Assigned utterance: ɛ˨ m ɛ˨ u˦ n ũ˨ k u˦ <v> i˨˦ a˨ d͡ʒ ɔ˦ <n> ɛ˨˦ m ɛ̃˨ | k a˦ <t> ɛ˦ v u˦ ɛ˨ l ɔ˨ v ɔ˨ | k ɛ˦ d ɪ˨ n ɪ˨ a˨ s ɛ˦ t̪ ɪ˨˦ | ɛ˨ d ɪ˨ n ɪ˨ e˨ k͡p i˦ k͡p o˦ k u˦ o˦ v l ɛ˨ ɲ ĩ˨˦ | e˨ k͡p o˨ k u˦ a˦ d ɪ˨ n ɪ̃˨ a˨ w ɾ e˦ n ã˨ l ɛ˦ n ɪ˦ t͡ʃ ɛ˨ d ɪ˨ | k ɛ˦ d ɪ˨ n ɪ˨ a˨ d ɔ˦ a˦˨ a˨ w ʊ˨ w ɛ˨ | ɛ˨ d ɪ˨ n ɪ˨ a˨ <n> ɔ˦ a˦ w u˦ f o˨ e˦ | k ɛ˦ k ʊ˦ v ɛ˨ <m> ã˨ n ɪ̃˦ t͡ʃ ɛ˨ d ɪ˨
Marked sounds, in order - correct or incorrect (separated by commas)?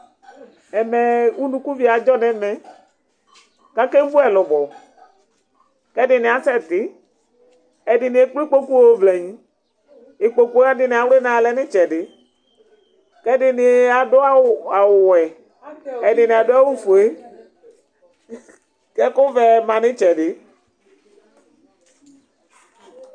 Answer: correct, correct, incorrect, incorrect, correct